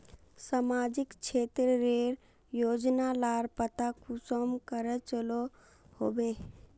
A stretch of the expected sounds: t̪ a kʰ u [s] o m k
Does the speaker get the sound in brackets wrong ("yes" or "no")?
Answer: no